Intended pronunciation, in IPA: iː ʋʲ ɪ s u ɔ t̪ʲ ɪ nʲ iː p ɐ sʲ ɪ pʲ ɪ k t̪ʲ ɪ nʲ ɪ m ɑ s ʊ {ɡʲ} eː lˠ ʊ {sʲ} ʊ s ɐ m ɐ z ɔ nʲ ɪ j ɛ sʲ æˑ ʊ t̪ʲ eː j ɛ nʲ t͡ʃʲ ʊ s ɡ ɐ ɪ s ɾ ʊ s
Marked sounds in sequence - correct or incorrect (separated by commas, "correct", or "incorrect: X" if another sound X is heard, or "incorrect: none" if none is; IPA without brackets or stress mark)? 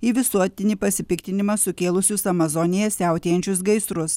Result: incorrect: kʲ, correct